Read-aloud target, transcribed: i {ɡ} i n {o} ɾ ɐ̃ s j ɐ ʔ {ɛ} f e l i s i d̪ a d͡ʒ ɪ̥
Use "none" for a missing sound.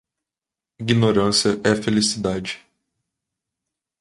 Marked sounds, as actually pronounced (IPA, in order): ɡ, o, ɛ

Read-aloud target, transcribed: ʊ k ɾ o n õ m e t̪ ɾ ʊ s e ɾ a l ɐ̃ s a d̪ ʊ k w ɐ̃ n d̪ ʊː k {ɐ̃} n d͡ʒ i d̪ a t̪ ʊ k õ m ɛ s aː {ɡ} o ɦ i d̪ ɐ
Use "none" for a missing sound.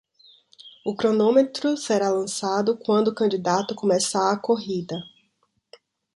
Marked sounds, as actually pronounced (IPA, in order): ɐ̃, k

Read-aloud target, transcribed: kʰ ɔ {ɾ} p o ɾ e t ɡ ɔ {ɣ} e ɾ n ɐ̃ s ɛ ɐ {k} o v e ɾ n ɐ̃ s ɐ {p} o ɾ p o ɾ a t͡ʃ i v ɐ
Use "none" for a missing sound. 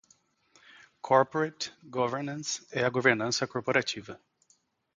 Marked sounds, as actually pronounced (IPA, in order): ɾ, v, ɡ, k

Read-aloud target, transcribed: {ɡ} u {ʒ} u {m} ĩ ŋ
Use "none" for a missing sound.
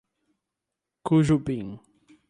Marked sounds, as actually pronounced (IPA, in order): k, ʒ, b

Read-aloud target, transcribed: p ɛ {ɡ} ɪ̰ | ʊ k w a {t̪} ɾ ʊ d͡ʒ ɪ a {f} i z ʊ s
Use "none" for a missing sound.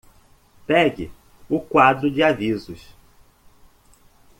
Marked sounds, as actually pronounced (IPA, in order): ɡ, d̪, v

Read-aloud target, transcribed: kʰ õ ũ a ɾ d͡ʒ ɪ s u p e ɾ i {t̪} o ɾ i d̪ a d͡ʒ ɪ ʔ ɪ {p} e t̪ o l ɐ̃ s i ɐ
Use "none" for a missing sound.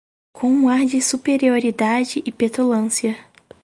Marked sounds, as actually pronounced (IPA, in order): none, p

